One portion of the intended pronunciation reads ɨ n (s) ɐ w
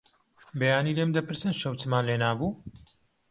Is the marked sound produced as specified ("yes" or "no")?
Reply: no